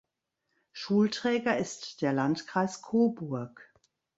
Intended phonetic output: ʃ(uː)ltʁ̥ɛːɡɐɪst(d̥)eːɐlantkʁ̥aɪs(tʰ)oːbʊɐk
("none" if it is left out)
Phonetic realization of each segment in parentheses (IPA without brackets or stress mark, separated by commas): uː, d̥, kʰ